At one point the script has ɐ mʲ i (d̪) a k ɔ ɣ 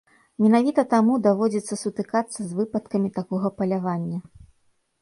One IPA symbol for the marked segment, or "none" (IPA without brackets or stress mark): t̪